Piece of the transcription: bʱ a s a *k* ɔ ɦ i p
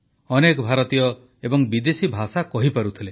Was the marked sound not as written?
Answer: no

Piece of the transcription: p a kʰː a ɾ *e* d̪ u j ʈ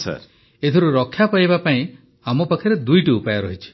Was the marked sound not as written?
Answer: no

